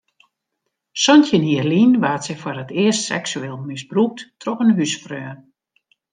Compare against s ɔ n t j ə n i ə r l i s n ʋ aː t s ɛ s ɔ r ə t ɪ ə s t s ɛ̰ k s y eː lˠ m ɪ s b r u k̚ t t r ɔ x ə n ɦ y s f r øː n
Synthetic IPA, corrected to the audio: s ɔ n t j ə n i ə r l i n ʋ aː t s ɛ f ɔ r ə t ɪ ə s t s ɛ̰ k s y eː lˠ m ɪ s b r u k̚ t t r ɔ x ə n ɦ y s f r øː n